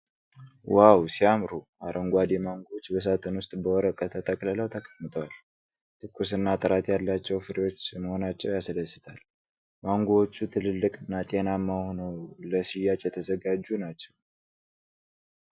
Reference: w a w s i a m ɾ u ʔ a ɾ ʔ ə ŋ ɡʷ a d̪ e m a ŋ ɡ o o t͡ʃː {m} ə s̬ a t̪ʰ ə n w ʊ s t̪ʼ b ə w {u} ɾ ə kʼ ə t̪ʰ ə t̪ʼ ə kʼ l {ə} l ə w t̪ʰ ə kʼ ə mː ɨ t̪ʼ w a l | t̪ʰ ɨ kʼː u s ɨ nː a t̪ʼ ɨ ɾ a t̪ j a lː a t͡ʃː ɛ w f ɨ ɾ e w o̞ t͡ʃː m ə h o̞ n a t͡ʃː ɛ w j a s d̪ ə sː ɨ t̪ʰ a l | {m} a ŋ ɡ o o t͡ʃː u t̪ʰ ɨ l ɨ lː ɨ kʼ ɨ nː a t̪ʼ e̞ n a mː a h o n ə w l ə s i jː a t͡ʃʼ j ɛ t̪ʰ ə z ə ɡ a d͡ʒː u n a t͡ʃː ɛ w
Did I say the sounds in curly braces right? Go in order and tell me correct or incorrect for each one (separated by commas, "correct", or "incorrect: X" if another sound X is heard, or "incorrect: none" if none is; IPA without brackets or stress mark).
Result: incorrect: b, incorrect: ɔ, correct, correct